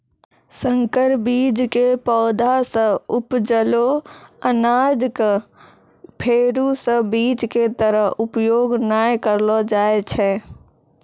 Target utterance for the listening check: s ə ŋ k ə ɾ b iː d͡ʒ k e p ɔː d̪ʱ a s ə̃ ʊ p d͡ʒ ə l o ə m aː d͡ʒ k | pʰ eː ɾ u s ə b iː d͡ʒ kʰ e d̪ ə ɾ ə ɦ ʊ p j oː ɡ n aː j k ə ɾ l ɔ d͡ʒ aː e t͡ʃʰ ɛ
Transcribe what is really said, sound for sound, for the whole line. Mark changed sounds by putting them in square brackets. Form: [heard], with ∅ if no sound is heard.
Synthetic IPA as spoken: s ə ŋ k ə ɾ b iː d͡ʒ k e p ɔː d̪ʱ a s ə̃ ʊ p d͡ʒ ə l o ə [n] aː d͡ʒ k | pʰ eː ɾ u s ə b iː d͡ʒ [k] e [t̪] ə ɾ ə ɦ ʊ p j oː ɡ n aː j k ə ɾ l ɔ d͡ʒ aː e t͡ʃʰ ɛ

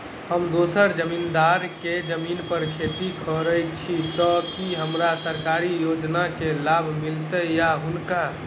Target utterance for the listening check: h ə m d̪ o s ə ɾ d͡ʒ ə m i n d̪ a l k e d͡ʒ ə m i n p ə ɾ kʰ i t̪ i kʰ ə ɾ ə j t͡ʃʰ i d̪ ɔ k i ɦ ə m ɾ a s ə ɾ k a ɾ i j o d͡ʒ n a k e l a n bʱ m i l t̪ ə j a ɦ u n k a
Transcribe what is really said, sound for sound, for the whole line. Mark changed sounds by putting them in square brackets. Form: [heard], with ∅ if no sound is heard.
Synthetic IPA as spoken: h ə m d̪ o s ə ɾ d͡ʒ ə m i n d̪ a [ɾ] k e d͡ʒ ə m i n p ə ɾ kʰ [e] t̪ i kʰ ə ɾ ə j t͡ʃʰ i [t̪] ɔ k i ɦ ə m ɾ a s ə ɾ k a ɾ i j o d͡ʒ n a k e l a [∅] bʱ m i l t̪ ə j a ɦ u n k a

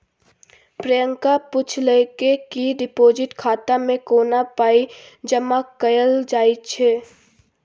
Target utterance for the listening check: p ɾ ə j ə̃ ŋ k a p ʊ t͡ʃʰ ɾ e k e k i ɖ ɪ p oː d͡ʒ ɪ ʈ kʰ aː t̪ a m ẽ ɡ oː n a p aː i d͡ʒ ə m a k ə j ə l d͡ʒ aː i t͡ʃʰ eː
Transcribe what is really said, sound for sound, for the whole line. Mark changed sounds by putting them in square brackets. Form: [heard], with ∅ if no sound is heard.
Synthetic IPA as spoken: p ɾ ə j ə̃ ŋ k a p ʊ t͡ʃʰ [l] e k e k i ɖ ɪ p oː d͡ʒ ɪ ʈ kʰ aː t̪ a m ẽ [k] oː n a p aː i d͡ʒ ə m a k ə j ə l d͡ʒ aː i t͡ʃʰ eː

